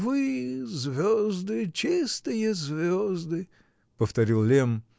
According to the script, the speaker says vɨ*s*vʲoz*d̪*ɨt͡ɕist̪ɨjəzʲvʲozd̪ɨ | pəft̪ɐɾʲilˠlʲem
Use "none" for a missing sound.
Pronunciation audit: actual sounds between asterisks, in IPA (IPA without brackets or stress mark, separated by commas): z, d̪